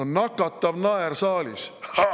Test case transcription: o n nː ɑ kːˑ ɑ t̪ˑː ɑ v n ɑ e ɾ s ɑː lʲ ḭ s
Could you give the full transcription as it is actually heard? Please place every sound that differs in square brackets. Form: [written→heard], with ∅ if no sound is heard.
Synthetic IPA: o n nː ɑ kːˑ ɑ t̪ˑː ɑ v n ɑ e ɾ s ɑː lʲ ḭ s